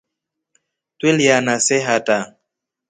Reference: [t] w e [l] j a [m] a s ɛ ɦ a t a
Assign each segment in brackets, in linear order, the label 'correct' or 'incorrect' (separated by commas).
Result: correct, correct, incorrect